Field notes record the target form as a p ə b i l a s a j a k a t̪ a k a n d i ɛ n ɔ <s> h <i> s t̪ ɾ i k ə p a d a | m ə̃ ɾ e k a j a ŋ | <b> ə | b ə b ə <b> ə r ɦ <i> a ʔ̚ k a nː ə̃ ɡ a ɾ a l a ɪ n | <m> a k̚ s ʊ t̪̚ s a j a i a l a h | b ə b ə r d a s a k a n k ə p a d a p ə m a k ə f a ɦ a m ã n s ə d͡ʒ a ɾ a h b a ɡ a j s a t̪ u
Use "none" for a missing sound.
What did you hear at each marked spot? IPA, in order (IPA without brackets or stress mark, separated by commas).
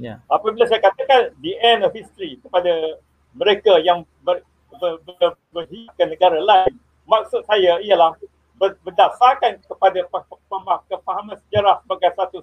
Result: f, i, b, b, i, m